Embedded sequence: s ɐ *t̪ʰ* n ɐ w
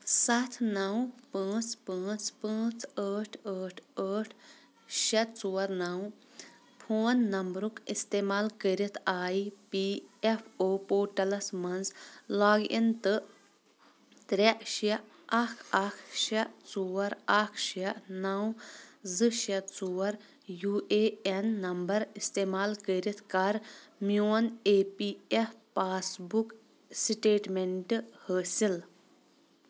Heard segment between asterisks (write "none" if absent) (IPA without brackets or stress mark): t̪ʰ